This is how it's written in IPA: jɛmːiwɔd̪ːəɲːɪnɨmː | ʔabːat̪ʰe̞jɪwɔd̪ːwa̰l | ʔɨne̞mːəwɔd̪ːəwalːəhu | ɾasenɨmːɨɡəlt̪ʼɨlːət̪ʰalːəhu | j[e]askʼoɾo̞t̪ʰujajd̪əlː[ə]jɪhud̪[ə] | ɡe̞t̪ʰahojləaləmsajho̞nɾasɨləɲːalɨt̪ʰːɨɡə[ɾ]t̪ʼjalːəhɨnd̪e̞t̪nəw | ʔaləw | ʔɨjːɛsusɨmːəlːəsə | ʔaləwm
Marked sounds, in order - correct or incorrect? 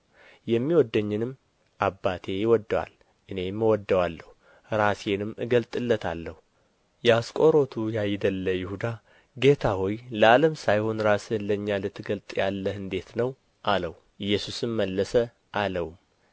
incorrect, correct, incorrect, incorrect

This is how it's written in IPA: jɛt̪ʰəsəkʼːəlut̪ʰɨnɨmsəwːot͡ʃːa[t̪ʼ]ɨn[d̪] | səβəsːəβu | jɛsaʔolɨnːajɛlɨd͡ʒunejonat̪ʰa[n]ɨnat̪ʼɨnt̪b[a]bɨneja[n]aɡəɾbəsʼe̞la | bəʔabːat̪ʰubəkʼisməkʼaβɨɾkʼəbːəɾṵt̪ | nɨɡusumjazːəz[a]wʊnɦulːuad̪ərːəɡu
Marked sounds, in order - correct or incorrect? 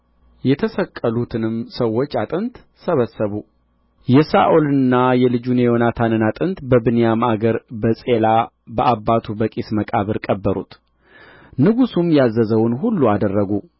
correct, incorrect, correct, incorrect, incorrect, incorrect

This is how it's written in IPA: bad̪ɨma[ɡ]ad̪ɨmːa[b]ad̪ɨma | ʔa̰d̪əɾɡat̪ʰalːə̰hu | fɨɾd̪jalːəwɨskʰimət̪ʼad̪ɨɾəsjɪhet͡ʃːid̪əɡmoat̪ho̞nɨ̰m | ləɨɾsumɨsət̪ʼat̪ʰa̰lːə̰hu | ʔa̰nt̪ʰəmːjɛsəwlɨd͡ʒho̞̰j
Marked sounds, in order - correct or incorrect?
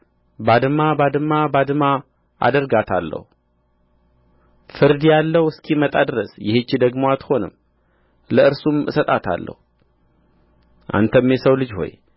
incorrect, correct

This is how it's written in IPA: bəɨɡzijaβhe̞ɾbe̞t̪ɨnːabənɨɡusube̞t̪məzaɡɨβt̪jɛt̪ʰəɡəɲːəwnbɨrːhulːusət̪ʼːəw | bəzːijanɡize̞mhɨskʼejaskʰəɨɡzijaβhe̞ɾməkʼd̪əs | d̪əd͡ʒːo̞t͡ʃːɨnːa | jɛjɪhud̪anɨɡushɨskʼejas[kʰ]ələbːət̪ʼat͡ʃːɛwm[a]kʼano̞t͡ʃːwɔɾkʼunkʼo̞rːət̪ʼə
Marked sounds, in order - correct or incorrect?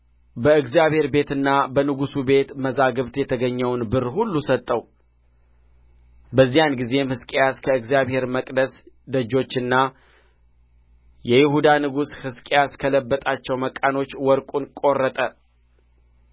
correct, incorrect

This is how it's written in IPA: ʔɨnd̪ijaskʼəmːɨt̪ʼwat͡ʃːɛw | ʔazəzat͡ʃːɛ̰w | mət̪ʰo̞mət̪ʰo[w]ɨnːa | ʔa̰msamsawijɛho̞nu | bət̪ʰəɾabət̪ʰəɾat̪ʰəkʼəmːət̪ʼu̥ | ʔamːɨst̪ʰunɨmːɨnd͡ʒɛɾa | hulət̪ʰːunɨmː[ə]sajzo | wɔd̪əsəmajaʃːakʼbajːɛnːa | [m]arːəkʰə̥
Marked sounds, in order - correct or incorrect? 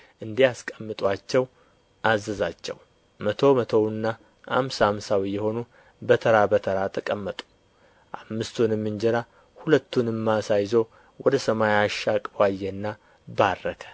correct, incorrect, incorrect

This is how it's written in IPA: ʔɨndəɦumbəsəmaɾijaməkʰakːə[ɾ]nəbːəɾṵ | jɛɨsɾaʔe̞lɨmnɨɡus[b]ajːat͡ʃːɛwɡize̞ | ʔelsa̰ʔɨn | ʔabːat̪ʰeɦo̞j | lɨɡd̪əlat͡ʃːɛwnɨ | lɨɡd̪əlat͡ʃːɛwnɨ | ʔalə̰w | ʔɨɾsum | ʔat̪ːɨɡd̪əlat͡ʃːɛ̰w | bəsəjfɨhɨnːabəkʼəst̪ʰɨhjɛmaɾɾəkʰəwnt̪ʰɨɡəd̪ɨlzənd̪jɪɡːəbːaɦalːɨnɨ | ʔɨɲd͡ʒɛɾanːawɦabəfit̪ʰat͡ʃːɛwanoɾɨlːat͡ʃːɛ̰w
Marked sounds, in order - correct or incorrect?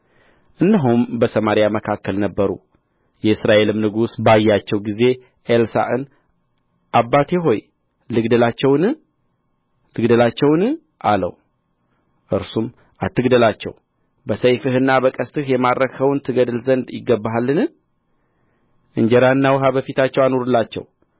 incorrect, correct

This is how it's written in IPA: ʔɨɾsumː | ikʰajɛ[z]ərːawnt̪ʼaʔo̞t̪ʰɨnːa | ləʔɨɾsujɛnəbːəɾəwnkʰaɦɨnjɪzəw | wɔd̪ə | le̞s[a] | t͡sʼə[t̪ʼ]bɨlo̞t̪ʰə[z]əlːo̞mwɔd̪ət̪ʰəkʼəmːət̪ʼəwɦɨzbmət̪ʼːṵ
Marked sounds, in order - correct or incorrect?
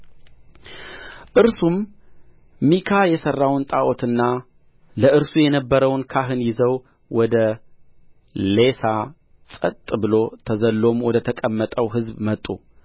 incorrect, correct, correct, correct

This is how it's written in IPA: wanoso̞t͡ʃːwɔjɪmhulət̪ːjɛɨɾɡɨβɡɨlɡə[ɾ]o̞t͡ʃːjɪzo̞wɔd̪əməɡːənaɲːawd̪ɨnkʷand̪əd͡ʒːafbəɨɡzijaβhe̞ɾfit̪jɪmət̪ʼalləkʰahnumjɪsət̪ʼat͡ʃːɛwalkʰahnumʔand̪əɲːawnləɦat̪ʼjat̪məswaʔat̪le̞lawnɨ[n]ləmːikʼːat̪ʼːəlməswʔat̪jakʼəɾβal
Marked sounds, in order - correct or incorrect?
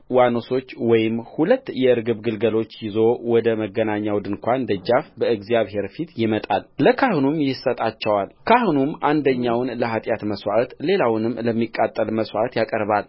incorrect, incorrect

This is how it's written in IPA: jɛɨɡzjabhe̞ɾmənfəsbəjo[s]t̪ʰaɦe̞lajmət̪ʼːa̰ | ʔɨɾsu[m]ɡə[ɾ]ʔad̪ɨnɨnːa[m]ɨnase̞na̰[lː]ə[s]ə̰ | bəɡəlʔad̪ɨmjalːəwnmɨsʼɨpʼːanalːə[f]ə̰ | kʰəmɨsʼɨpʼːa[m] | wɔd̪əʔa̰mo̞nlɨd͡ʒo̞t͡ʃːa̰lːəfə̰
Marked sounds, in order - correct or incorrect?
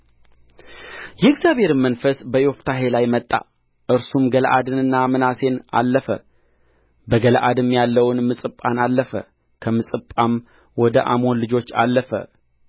incorrect, correct, incorrect, correct, correct, incorrect, correct, correct

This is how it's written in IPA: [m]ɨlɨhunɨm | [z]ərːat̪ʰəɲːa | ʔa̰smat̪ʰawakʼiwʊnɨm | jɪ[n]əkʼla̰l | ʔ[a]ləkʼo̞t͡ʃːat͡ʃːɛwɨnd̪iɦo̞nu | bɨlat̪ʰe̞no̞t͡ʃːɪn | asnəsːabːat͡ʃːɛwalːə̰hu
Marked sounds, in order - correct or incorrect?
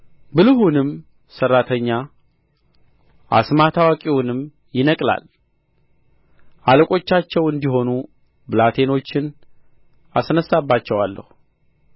incorrect, incorrect, correct, correct

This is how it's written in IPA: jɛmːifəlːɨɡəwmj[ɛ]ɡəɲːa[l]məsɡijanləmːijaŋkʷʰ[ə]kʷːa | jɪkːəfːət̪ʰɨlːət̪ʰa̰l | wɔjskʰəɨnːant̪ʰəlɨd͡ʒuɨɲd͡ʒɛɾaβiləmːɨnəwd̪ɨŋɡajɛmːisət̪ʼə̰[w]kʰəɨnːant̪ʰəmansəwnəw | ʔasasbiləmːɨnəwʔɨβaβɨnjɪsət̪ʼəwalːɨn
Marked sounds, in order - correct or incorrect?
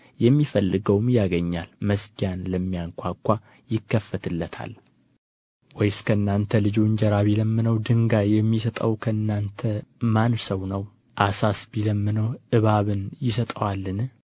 incorrect, correct, incorrect, correct

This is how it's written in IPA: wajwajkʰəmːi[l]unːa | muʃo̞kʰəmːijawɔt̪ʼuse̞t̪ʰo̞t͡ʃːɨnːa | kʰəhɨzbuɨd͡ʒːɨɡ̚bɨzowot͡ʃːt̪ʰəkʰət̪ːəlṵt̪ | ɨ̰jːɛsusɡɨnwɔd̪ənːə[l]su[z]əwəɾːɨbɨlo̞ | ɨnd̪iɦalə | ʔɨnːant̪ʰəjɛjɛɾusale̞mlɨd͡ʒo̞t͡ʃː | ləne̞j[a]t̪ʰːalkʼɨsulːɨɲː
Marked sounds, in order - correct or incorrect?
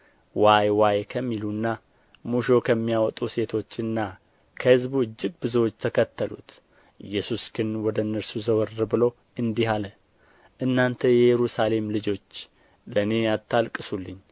correct, incorrect, correct, correct

